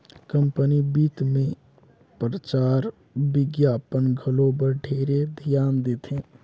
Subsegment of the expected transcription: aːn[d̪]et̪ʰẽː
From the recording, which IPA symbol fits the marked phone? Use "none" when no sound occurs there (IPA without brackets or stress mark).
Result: d̪